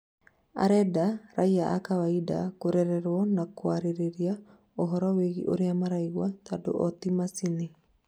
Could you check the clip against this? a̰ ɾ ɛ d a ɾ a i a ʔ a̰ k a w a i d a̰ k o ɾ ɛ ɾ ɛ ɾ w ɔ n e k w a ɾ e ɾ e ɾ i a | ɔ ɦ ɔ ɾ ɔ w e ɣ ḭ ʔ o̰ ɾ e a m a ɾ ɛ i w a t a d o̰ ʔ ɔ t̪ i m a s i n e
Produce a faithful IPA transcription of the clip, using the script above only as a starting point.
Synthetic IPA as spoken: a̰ ɾ ɛ d a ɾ a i a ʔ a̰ k a w a i d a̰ k o ɾ ɛ ɾ ɛ ɾ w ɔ n a k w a ɾ e ɾ e ɾ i a | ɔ ɦ ɔ ɾ ɔ w e ɣ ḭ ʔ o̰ ɾ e a m a ɾ a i w a t a d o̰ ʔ ɔ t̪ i m a s i n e

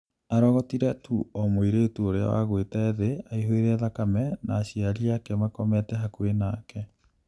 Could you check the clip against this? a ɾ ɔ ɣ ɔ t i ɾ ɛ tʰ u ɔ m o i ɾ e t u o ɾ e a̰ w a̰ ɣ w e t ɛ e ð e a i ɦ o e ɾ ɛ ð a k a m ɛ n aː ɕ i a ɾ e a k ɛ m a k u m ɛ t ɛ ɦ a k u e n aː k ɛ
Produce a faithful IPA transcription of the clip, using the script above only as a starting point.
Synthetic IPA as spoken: a ɾ ɔ ɣ ɔ t i ɾ ɛ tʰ u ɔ m o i ɾ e t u o ɾ e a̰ w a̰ ɣ w e t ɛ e ð e a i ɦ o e ɾ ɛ ð a k a m ɛ n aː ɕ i a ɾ i a k ɛ m a k ɔ m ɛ t ɛ ɦ a k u e n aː k ɛ

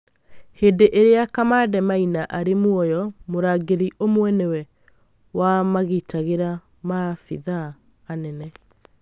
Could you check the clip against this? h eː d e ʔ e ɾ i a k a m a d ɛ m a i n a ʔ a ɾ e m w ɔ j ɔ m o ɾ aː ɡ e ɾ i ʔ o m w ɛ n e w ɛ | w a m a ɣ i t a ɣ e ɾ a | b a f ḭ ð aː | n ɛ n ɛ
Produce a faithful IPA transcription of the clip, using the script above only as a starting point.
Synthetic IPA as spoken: h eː d e ʔ e ɾ e a k a m a d ɛ m a i n a ʔ a ɾ e m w ɔ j ɔ m o ɾ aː ɡ e ɾ i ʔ o m w ɛ n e w ɛ | w a m a ɣ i t a ɣ e ɾ a | m a f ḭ ð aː | n ɛ n ɛ

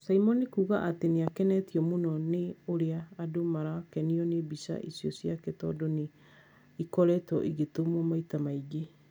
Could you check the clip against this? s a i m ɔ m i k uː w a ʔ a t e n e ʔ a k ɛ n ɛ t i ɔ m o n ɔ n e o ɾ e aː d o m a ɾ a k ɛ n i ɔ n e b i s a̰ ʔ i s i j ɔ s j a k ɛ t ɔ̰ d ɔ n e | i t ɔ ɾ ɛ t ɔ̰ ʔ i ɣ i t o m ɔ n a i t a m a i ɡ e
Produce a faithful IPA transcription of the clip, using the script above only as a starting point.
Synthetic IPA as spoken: s a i m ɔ n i k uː ɣ a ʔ a t e n e a k ɛ n ɛ t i ɔ m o n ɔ n e o ɾ e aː d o m a ɾ a k ɛ n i ɔ n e b i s a̰ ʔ i s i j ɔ s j a k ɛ t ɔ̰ d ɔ n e | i k ɔ ɾ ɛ t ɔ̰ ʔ i ɣ e t o m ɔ m a i t a m a i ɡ e

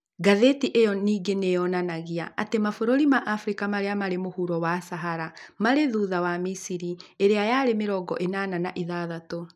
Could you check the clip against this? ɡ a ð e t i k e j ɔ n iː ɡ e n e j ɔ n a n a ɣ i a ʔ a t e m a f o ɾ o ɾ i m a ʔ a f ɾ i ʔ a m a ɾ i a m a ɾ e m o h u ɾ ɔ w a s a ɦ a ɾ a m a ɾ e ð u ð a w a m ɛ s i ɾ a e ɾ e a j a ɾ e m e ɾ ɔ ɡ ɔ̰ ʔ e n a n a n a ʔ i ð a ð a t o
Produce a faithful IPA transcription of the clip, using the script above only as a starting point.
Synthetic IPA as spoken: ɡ a ð e t i ʔ e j ɔ n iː ɡ e n e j ɔ n a n a ɣ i a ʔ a t e m a f o ɾ o ɾ i m a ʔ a f ɾ i k a m a ɾ e a m a ɾ e m o h u ɾ ɔ w a s a ɦ a ɾ a m a ɾ e ð u ð a w a m i s i ɾ i e ɾ e a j a ɾ e m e ɾ ɔ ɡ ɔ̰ ʔ e n a n a n a ʔ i ð a ð a t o

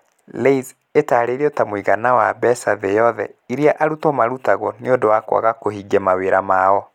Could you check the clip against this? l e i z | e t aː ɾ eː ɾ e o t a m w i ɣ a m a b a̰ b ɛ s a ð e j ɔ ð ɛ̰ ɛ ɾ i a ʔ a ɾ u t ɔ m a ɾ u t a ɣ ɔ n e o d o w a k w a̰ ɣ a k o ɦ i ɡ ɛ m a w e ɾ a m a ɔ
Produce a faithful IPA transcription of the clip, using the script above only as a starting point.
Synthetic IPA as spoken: l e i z | e t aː ɾ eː ɾ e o t a m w i ɣ a n a w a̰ b ɛ s a ð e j ɔ ð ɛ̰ i ɾ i a ʔ a ɾ u t ɔ m a ɾ u t a ɣ ɔ n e o d o w a k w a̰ ɣ a k o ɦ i ɡ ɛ m a w e ɾ a m a ɔ

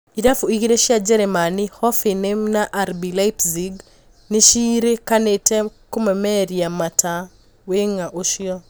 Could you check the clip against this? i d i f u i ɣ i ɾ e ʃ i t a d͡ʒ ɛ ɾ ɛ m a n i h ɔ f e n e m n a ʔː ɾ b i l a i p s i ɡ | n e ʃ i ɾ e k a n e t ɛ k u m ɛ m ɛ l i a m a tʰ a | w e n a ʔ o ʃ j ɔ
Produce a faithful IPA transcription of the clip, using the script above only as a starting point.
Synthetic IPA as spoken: i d a f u i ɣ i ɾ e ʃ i a d͡ʒ ɛ ɾ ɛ m a n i h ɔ f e n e m n a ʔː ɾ b i l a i p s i ɡ | n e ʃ i ɾ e k a n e t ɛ k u m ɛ m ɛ ɾ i a m a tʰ a | w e ŋ a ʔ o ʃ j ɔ

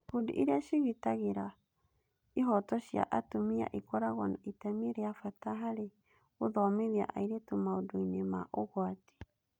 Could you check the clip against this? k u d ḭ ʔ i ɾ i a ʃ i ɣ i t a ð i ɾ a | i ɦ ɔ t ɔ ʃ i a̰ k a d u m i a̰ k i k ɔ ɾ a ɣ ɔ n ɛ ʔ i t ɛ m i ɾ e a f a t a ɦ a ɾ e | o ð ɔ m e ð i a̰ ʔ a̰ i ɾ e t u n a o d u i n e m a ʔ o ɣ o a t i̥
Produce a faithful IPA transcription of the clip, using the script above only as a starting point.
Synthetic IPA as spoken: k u d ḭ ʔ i ɾ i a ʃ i ɣ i t a ɣ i ɾ a | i ɦ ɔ t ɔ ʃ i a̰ ʔ a t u m i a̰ ʔ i k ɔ ɾ a ɣ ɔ n a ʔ i t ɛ m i ɾ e a f a t a ɦ a ɾ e | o ð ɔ m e ð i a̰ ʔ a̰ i ɾ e t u m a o d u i n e m a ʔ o ɣ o a t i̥

